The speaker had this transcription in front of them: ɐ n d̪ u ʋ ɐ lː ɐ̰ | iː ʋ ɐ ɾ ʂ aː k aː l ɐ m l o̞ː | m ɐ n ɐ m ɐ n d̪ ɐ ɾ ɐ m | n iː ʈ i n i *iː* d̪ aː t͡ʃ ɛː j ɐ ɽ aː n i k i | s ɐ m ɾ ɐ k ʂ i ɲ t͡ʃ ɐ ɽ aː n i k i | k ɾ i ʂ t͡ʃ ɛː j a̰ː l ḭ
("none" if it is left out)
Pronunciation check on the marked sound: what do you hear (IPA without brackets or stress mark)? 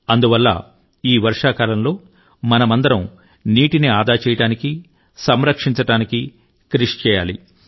aː